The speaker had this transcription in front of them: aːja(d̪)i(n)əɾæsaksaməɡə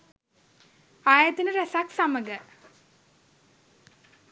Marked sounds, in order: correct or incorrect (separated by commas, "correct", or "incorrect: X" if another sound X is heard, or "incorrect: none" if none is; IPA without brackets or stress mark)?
incorrect: t̪, correct